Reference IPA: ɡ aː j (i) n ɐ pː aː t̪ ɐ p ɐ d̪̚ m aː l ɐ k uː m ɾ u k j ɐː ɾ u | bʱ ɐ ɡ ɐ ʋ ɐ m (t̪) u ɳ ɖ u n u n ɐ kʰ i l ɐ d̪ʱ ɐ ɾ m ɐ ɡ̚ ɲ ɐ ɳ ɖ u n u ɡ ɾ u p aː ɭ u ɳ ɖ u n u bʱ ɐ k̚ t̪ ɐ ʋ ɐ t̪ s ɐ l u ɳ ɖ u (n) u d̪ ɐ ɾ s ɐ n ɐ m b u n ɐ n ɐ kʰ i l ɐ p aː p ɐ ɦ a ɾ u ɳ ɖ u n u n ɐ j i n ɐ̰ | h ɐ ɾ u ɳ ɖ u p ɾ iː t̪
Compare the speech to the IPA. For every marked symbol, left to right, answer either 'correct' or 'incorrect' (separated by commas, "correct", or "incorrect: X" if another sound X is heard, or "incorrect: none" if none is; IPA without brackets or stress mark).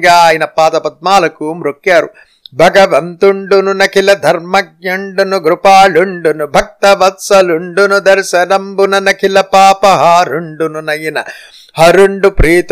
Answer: correct, correct, correct